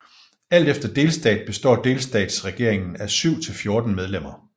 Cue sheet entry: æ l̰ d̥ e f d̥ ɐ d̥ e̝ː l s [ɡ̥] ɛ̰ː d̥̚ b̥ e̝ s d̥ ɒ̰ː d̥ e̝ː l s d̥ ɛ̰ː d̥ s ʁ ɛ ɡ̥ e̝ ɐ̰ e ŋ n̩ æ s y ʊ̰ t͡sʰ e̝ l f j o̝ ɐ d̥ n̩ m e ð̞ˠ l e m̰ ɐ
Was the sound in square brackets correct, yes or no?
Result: no